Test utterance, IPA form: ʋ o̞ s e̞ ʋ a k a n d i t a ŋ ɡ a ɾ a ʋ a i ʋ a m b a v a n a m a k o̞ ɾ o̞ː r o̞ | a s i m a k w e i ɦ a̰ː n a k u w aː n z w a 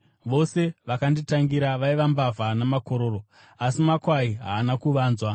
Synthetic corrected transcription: ʋ o̞ s e̞ ʋ a k a n d i t a ŋ ɡ i ɾ a ʋ a i ʋ a m b a v a n a m a k o̞ ɾ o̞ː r o̞ | a s i m a k w a i ɦ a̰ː n a k u ʋ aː n z w a